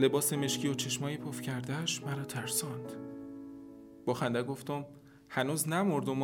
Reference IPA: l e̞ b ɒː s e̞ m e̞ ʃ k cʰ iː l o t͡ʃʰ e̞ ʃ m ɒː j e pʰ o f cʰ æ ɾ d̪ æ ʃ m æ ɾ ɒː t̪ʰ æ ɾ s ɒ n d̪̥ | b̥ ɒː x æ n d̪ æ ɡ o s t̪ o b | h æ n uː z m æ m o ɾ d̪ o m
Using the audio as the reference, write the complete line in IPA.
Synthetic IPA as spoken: l e̞ b ɒː s e̞ m e̞ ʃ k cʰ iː o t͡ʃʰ e̞ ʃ m ɒː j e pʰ o f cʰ æ ɾ d̪ æ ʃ m æ ɾ ɒː t̪ʰ æ ɾ s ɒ n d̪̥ | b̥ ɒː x æ n d̪ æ ɡ o f t̪ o m | h æ n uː z n æ m o ɾ d̪ o m